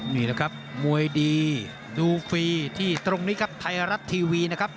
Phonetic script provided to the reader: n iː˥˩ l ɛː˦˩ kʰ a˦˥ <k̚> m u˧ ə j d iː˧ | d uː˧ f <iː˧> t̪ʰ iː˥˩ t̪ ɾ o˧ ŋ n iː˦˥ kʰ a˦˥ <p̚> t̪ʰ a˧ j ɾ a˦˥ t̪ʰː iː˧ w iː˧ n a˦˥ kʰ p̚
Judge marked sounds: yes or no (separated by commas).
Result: no, yes, yes